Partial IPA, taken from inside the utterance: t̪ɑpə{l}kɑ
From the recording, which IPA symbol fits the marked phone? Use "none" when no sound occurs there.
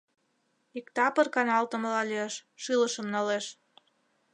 r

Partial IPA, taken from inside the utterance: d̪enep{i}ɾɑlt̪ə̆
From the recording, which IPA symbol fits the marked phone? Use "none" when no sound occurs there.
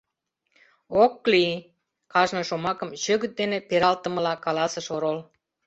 e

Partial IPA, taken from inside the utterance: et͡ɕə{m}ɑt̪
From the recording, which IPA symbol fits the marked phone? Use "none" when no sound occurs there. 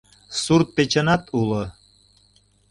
n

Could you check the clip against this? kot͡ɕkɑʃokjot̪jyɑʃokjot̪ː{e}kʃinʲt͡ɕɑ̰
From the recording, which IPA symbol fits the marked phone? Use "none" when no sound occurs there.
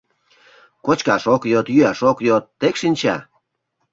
e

